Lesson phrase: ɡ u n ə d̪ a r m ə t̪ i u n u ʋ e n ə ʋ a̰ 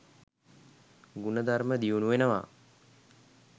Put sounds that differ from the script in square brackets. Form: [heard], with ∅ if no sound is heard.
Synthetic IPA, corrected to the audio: ɡ u n ə d̪ a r m ə [d̪] i u n u ʋ e n ə ʋ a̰